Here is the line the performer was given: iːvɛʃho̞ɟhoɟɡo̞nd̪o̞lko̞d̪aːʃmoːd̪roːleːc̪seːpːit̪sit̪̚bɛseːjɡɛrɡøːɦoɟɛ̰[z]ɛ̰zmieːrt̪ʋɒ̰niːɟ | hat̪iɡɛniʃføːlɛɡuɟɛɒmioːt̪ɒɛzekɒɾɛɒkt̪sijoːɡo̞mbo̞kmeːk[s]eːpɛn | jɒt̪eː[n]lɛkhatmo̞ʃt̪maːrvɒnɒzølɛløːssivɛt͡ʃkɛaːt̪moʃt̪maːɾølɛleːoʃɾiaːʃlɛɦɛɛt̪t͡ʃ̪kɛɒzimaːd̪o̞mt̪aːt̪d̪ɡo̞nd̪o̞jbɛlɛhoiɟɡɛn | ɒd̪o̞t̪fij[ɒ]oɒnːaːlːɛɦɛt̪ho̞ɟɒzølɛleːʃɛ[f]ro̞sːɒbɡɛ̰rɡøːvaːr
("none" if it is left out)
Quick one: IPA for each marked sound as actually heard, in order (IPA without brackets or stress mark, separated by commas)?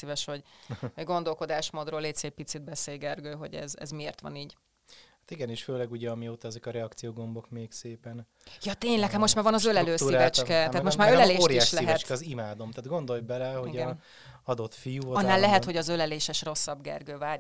z, s, ɲ, u, ʃ